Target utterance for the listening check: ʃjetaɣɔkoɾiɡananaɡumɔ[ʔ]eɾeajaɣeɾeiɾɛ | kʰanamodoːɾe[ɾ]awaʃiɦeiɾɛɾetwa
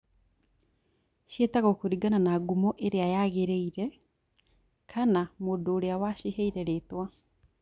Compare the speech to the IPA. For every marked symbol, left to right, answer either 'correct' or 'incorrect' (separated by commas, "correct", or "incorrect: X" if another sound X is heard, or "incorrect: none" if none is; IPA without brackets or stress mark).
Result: correct, incorrect: none